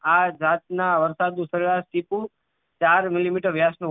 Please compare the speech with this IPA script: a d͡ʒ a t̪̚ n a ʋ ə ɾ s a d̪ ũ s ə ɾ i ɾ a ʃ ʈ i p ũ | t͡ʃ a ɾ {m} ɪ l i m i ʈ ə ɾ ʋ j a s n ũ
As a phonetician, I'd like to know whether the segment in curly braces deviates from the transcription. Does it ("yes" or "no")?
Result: no